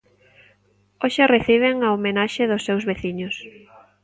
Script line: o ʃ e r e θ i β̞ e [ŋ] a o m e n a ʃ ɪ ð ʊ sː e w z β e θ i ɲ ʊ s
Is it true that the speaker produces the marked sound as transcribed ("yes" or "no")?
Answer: yes